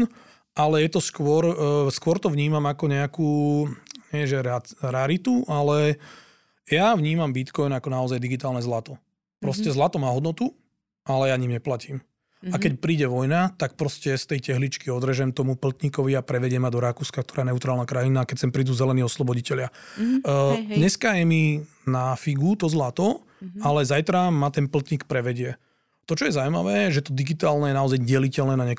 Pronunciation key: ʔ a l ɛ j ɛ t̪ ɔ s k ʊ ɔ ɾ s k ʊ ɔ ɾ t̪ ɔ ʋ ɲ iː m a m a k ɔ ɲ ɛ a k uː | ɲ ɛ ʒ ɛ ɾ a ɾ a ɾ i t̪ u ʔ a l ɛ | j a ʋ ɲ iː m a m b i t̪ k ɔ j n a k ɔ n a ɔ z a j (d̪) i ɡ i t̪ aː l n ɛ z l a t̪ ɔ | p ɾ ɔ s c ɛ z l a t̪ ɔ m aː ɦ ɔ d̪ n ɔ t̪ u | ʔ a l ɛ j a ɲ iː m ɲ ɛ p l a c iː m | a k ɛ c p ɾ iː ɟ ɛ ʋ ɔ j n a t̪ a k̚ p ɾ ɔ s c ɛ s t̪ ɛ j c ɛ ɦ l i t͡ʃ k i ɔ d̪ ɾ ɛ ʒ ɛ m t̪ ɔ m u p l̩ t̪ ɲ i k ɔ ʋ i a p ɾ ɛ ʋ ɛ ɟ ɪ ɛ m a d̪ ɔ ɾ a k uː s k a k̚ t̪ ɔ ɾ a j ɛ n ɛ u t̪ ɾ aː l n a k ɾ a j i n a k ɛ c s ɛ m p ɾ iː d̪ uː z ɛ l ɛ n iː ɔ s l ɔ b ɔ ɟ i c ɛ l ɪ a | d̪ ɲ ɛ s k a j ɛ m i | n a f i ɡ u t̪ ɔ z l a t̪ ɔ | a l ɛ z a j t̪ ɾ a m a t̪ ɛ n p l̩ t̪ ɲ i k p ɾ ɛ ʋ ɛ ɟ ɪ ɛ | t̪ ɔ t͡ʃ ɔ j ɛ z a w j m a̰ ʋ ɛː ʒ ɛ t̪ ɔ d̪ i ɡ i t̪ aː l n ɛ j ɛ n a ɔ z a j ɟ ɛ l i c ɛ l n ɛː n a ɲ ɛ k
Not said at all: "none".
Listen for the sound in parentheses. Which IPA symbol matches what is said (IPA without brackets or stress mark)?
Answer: d̪